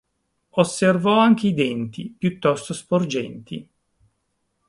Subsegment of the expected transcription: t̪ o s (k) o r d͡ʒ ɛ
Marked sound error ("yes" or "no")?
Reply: yes